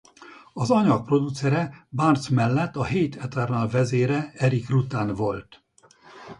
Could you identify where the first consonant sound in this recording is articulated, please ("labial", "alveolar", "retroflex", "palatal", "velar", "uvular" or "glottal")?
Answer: alveolar